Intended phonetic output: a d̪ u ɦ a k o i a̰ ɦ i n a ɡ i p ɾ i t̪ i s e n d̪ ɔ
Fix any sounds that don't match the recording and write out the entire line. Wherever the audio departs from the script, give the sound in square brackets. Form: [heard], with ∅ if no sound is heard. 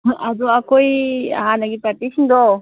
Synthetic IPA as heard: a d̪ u [∅] a k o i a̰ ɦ [a] n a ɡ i p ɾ [a] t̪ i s [i] n d̪ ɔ